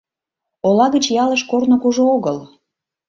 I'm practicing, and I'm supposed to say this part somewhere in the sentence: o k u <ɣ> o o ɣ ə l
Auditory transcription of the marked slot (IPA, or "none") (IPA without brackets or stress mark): ʒ